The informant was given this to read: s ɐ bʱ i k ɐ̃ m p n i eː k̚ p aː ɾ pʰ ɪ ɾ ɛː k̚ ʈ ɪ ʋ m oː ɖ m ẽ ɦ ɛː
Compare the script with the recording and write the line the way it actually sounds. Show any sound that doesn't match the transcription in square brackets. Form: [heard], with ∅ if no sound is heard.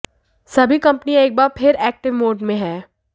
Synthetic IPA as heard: s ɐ bʱ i k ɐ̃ m p n i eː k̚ [b] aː ɾ pʰ ɪ ɾ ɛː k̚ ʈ ɪ ʋ m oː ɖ m ẽ ɦ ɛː